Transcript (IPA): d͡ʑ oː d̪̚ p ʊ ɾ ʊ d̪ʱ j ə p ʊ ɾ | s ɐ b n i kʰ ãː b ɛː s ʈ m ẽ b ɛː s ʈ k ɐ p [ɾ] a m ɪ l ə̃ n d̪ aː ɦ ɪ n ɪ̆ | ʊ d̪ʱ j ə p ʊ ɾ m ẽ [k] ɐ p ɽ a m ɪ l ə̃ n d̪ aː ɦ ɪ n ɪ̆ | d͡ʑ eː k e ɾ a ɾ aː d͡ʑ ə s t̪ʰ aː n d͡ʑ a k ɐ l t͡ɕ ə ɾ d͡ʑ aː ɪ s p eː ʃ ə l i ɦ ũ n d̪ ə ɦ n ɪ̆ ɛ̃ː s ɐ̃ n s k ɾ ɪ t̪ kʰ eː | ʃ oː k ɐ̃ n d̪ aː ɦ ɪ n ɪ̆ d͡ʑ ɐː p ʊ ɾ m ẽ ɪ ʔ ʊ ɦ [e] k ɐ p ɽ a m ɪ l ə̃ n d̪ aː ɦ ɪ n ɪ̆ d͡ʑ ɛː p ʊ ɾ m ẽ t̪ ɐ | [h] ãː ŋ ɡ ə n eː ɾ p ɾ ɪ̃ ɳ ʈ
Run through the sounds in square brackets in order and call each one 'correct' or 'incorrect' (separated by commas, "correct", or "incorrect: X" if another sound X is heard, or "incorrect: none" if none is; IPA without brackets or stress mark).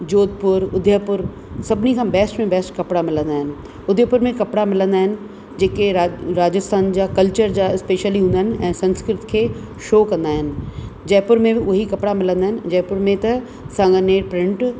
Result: incorrect: ɽ, correct, incorrect: i, incorrect: s